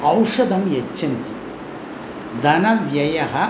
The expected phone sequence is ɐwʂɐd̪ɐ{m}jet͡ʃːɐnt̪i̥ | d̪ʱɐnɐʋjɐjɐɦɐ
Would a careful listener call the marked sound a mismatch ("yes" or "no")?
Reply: no